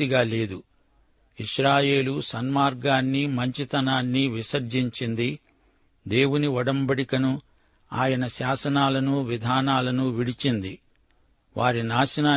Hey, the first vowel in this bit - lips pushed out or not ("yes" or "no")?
no